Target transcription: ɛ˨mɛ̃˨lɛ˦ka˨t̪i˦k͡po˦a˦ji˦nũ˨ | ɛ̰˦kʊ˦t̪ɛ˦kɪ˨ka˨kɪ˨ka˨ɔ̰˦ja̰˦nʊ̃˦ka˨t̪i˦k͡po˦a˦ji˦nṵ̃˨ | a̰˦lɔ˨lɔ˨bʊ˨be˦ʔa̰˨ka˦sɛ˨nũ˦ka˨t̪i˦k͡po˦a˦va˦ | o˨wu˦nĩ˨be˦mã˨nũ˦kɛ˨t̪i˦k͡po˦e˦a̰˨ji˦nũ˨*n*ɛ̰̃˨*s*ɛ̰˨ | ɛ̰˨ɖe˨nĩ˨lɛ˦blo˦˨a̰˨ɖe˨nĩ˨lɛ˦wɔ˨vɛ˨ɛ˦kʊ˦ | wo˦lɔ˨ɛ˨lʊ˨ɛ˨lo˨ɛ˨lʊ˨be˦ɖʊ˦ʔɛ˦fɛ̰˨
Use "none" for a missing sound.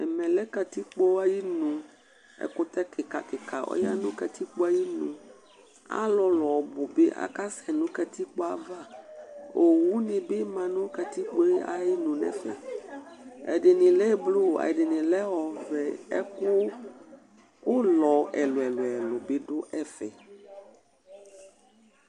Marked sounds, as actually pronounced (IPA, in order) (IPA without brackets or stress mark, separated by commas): n, f